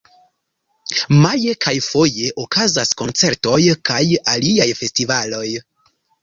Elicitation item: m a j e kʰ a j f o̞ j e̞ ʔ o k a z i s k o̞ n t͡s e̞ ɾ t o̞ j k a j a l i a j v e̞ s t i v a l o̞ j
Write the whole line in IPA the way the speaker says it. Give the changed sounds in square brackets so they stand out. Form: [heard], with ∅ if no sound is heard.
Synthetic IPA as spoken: m a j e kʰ a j f o̞ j e̞ ʔ o k a z [a] s k o̞ n t͡s e̞ ɾ t o̞ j k a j a l i a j [f] e̞ s t i v a l o̞ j